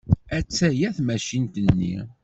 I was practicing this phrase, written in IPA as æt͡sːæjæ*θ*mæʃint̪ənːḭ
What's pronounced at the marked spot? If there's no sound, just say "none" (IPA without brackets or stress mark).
θ